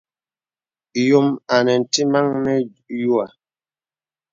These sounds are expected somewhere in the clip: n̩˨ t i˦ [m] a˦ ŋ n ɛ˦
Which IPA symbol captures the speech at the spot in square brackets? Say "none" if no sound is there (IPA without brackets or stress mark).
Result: m